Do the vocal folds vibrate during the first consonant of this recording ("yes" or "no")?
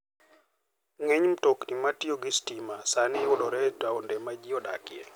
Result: yes